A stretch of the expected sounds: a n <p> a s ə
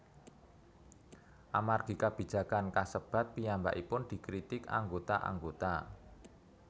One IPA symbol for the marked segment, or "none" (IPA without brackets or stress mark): k